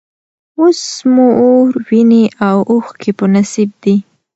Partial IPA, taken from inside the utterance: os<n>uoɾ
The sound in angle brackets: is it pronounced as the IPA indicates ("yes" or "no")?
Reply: no